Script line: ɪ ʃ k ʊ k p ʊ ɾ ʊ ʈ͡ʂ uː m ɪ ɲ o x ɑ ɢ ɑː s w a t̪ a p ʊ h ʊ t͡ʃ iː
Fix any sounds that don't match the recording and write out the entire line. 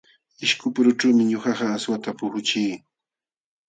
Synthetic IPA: ɪ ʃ k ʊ p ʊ ɾ ʊ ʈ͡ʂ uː m ɪ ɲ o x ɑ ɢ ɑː s w a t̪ a p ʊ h ʊ t͡ʃ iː